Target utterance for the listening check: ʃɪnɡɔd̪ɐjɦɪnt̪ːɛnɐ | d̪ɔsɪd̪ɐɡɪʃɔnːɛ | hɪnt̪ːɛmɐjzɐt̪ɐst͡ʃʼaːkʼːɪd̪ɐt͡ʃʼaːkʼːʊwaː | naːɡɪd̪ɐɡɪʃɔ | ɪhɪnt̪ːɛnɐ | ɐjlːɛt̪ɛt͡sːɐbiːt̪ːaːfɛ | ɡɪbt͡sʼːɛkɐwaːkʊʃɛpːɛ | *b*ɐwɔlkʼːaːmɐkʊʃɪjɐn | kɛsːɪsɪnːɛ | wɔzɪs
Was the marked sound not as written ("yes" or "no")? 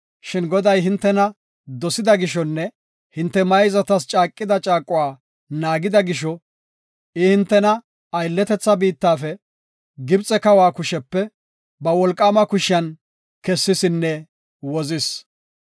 no